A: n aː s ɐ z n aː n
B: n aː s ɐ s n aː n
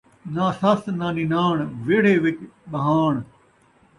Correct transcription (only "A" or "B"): B